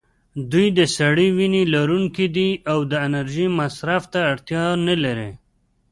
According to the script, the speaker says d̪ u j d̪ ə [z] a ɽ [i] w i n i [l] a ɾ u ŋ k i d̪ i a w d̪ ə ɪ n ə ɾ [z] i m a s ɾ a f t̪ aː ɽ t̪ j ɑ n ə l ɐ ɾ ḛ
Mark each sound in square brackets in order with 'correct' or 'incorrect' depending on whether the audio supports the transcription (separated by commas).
incorrect, correct, correct, incorrect